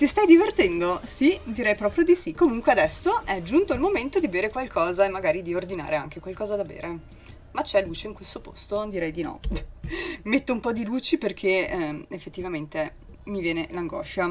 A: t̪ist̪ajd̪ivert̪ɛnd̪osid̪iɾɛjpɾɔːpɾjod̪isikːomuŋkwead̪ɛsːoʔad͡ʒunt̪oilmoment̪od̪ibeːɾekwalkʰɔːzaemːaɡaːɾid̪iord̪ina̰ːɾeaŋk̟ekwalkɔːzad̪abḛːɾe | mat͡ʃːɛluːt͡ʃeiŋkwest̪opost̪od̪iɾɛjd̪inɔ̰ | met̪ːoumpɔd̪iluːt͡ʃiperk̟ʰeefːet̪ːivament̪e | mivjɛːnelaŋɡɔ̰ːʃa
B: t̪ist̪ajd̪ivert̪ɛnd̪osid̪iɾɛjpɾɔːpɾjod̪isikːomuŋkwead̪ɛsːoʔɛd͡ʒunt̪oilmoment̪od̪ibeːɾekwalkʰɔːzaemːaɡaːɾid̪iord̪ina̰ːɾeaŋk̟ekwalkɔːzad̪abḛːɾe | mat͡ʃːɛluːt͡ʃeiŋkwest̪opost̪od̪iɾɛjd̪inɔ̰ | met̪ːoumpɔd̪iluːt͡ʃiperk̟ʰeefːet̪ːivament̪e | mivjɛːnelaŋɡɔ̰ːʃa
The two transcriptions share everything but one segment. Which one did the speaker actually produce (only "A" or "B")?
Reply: B